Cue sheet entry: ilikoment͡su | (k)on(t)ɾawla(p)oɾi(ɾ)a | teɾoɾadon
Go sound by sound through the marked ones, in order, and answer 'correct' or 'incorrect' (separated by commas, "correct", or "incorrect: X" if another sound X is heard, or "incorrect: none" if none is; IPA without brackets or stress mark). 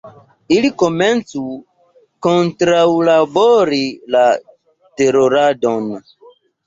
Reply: correct, correct, incorrect: b, incorrect: l